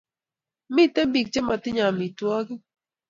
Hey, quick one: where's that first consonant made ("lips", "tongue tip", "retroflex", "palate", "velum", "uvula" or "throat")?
lips